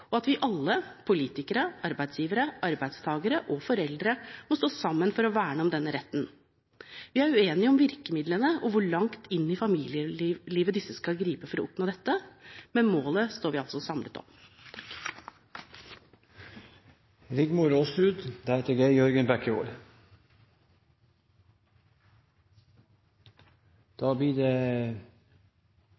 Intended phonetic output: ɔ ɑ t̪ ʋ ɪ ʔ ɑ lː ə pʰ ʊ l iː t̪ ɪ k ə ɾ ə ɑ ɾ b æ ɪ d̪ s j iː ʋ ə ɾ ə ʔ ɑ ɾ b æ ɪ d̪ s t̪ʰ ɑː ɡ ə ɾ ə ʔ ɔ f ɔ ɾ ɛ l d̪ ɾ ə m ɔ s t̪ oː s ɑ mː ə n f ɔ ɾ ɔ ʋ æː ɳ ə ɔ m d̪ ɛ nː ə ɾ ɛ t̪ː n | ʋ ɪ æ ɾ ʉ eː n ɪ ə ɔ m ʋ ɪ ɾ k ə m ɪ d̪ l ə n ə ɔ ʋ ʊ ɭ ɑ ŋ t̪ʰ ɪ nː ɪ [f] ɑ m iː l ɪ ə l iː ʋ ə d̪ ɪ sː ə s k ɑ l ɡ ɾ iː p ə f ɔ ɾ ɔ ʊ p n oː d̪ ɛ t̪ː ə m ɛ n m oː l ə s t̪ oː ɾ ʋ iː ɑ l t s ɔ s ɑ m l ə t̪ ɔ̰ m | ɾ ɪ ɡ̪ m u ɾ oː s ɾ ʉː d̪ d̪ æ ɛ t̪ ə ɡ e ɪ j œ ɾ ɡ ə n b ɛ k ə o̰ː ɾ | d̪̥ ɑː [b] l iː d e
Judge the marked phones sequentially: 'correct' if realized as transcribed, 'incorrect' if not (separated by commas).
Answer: correct, correct